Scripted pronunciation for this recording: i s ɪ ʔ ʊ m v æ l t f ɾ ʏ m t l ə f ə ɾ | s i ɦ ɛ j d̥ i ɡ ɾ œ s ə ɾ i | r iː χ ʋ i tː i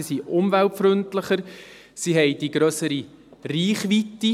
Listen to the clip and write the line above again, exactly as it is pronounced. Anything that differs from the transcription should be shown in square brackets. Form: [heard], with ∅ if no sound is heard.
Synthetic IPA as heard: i s [i] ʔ ʊ m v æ l t f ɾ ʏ [n] t l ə [χ] ə ɾ | s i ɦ ɛ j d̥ i ɡ ɾ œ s ə ɾ i | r iː χ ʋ i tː i

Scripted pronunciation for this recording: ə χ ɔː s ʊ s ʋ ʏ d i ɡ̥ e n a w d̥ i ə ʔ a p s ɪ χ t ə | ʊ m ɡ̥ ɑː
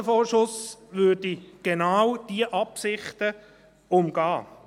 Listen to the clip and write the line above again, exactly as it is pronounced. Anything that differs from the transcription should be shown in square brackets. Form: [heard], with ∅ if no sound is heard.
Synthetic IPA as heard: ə [f] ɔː [ʃ] ʊ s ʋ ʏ d i ɡ̥ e n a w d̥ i ə ʔ [ɑ] p s ɪ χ t ə | ʊ m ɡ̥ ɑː

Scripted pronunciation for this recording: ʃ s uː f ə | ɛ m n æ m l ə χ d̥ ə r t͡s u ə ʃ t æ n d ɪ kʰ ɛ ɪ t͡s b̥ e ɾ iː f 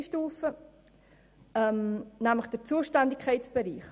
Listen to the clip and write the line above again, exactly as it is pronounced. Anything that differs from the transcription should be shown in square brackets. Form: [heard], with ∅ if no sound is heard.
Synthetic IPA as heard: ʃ [t] uː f ə | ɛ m n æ m l ə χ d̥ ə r t͡s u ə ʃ t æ n d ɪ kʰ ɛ ɪ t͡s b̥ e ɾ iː [χ]

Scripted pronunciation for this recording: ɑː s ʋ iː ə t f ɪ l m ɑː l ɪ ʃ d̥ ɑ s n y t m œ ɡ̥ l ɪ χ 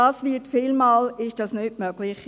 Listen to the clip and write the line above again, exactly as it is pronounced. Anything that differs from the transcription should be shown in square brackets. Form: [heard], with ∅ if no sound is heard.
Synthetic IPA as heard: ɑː s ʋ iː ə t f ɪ l m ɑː l ɪ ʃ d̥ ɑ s n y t m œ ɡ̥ l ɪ χ

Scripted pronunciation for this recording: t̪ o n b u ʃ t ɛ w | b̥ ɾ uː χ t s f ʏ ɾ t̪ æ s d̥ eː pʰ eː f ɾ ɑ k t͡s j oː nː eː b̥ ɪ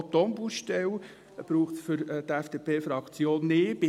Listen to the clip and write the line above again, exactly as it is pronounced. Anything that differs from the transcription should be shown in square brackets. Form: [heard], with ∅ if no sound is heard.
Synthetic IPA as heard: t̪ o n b u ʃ t ɛ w | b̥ ɾ uː χ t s f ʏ ɾ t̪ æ [f] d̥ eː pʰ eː f ɾ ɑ k t͡s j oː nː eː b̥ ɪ

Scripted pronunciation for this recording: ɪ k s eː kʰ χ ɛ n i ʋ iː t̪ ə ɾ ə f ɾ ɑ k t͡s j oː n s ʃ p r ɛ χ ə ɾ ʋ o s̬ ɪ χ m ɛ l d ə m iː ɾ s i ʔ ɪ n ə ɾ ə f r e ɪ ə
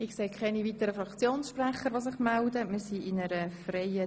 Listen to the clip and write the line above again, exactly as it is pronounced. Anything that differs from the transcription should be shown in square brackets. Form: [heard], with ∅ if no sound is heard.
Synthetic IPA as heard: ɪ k s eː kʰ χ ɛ n i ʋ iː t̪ ə ɾ ə f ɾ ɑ k t͡s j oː n s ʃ p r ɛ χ ə ɾ ʋ o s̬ ɪ χ m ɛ l d ə m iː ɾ s i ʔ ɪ n ə ɾ ə f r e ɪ ə

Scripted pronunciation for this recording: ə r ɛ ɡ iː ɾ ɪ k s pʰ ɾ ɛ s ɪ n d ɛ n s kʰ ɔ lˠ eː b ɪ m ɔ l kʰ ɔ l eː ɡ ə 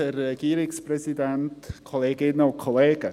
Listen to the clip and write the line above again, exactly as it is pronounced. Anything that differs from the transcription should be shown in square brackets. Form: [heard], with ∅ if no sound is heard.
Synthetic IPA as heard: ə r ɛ ɡ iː ɾ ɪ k s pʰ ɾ ɛ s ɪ [∅] d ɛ n [t] kʰ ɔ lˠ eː [ɡ] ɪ [n] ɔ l kʰ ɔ l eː ɡ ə

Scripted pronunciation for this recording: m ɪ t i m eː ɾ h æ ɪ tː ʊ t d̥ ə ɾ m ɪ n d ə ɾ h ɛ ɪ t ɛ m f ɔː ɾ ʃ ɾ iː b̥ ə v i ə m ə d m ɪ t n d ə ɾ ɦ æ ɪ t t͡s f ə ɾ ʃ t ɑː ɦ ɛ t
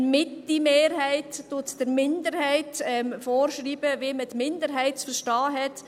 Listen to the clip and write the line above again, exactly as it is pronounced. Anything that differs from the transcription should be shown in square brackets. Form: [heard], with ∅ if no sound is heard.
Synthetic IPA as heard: m ɪ t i m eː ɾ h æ ɪ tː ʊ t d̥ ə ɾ m ɪ n d ə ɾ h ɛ ɪ t ɛ m f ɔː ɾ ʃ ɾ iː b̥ ə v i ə m ə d m ɪ [∅] n d ə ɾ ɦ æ ɪ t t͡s f ə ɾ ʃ t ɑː ɦ ɛ t

